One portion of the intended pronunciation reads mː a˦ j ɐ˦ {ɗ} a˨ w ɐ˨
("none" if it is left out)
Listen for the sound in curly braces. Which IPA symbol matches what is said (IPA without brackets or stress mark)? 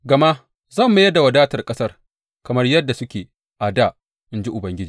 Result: d